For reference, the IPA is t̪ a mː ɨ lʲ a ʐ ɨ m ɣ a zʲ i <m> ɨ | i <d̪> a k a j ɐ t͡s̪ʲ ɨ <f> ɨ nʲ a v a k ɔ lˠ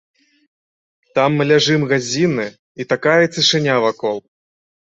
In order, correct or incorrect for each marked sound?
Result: incorrect: n, incorrect: t̪, incorrect: ʂ

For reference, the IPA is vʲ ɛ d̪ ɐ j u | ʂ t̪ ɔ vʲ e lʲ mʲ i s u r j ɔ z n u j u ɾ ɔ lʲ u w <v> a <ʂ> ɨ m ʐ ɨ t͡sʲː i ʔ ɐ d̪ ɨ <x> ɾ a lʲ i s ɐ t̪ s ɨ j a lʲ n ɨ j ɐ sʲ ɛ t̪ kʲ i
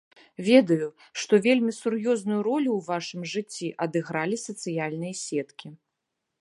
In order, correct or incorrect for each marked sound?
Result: correct, correct, incorrect: ɣ

